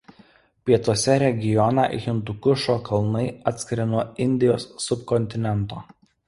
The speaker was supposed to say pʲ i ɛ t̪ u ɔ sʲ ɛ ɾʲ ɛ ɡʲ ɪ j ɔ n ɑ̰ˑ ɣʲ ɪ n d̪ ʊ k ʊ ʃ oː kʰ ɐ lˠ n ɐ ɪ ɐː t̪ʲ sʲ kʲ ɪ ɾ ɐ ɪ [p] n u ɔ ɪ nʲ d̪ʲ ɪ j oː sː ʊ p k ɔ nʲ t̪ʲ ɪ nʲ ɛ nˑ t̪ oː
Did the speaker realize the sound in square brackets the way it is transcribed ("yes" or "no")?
no